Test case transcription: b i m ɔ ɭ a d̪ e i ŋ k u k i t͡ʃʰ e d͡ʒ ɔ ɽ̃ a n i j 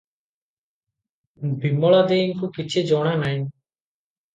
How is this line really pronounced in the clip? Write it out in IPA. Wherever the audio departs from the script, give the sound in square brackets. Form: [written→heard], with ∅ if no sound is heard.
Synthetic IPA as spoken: b i m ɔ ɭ a d̪ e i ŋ k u k i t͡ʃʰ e d͡ʒ ɔ ɽ̃ a n [i→a] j